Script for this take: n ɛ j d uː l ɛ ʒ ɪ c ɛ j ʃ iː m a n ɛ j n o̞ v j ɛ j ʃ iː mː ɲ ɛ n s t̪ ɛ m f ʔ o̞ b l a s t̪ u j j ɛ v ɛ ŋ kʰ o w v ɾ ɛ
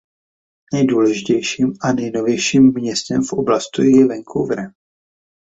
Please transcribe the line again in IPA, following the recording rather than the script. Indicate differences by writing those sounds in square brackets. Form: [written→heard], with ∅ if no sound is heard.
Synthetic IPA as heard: n ɛ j d uː l ɛ ʒ ɪ c ɛ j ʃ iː m a n ɛ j n o̞ v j ɛ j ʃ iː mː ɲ ɛ [n→∅] s t̪ ɛ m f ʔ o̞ b l a s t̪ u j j ɛ v ɛ ŋ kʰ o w v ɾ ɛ